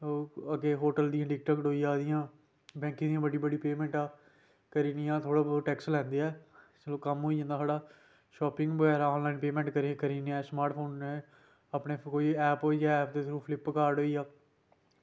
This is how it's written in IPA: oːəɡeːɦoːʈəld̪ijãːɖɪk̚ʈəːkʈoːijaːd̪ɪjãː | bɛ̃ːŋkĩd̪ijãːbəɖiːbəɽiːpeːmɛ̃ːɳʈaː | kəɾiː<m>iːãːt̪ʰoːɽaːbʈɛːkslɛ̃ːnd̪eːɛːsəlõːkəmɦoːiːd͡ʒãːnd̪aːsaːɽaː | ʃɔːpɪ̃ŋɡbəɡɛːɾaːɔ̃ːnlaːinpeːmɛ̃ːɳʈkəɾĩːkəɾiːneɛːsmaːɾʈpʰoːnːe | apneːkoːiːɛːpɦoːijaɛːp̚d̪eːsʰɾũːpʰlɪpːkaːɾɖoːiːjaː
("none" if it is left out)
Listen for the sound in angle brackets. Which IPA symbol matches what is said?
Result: n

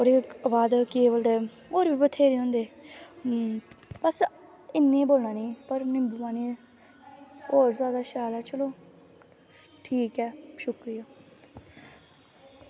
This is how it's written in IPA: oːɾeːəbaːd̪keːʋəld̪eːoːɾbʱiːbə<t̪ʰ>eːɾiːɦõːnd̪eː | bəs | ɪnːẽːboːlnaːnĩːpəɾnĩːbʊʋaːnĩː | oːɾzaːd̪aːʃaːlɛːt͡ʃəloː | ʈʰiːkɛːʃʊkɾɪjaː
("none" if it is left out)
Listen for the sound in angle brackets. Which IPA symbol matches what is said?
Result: t̪ʰ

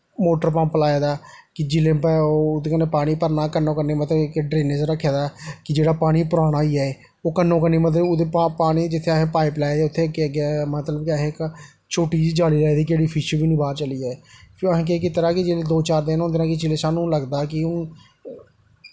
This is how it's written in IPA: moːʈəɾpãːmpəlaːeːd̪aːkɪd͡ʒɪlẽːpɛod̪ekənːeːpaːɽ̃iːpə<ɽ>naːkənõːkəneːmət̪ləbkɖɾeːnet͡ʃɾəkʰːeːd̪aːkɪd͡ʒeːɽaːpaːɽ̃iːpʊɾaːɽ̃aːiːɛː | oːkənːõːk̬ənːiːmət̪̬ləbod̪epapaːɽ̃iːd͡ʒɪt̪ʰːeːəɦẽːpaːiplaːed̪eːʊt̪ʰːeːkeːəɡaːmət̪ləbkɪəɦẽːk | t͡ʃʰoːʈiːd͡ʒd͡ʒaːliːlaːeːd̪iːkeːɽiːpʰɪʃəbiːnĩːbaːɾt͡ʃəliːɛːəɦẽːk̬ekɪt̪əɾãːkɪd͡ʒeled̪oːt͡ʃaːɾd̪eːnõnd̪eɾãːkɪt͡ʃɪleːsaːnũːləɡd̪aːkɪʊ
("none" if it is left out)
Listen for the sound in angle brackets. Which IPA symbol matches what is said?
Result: ɾ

